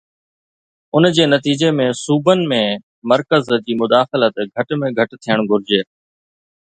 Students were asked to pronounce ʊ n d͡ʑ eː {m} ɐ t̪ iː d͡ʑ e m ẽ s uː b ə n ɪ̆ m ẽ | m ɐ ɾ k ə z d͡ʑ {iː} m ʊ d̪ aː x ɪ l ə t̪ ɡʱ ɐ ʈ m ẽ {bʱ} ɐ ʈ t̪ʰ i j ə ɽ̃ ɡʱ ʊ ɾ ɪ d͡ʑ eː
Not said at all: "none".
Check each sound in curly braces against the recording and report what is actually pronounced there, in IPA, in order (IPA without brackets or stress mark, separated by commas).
n, iː, ɡʱ